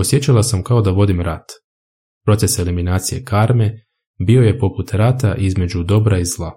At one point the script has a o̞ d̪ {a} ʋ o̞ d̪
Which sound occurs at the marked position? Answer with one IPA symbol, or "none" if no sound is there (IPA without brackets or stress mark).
a